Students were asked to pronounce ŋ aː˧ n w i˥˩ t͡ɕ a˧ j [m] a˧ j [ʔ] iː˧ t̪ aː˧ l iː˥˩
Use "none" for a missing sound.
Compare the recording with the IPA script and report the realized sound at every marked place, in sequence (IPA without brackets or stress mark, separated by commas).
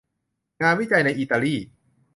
n, ʔ